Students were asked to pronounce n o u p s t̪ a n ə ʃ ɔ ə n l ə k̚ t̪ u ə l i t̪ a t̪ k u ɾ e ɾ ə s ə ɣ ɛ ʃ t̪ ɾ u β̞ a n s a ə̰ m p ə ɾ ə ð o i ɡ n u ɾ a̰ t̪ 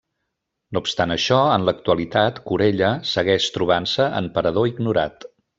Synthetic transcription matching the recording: n o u p s t̪ a n ə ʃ ɔ ə n l ə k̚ t̪ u ə l i t̪ a t̪ k u ɾ e ʎ ə s ə ɣ ɛ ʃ t̪ ɾ u β̞ a n s ə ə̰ m p ə ɾ ə ð o i ɡ n u ɾ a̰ t̪